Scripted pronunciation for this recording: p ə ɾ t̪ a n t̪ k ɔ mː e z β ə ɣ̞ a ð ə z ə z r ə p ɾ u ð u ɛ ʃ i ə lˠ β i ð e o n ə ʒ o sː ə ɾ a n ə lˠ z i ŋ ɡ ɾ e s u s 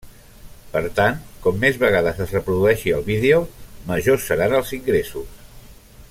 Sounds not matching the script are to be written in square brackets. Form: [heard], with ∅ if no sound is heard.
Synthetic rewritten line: p ə ɾ t̪ a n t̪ k ɔ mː e z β ə ɣ̞ a ð ə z ə z r ə p ɾ u ð u ɛ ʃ i ə lˠ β i ð e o [m] ə ʒ o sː ə ɾ a n ə lˠ z i ŋ ɡ ɾ e s u s